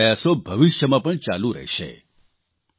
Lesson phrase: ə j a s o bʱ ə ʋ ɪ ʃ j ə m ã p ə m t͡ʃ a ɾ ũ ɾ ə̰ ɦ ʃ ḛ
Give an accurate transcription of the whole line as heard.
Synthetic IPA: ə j a s o bʱ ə ʋ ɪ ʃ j ə m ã p ə ɳ t͡ʃ a l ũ ɾ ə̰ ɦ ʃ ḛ